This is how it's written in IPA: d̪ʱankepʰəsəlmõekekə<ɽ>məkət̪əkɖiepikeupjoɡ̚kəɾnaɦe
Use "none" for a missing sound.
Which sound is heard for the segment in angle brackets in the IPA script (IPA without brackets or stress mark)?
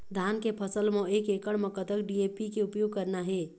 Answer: ɽ